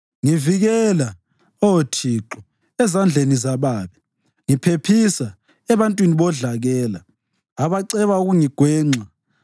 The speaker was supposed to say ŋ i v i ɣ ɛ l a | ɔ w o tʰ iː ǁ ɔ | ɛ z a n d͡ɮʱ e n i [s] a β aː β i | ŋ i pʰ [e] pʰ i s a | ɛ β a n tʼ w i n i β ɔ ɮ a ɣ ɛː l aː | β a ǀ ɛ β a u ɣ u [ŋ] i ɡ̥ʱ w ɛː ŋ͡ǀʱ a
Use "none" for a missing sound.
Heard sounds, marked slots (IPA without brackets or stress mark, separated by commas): z, e, ŋ